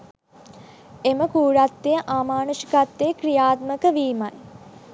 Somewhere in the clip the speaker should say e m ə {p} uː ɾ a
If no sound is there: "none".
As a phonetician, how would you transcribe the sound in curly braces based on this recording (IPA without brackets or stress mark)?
k